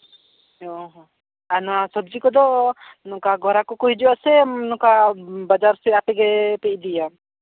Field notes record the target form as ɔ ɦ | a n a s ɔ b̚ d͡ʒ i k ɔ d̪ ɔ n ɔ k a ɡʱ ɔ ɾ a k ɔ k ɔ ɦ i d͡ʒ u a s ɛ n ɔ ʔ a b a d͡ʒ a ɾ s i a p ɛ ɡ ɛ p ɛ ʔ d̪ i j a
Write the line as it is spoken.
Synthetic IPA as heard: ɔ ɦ | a n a s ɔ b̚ d͡ʒ i k ɔ d̪ ɔ n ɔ k a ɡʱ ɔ ɾ a k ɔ k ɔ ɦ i d͡ʒ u a s ɛ n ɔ k a b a d͡ʒ a ɾ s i a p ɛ ɡ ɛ p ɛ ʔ d̪ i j a